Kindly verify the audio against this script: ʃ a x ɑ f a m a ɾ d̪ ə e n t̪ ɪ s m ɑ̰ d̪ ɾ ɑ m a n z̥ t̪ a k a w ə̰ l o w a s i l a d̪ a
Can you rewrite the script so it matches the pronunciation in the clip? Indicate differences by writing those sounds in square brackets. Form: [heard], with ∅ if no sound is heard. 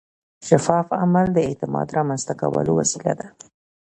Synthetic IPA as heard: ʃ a [f] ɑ f a m a [l] d̪ ə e [∅] t̪ ɪ [∅] m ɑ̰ d̪ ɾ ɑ m a n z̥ t̪ a k a w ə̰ l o w a s i l a d̪ a